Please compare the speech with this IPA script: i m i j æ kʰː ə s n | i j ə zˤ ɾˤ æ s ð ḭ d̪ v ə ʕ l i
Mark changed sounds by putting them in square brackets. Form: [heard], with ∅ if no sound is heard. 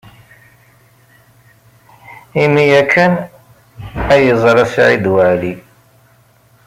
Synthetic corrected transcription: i m i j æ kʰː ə [∅] n | [æ] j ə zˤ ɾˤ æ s [ʕ] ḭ d̪ [w] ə ʕ l i